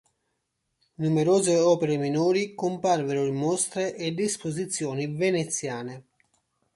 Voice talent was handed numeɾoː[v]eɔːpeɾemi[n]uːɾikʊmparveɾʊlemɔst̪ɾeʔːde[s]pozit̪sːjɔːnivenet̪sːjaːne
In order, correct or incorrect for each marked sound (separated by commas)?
incorrect, correct, correct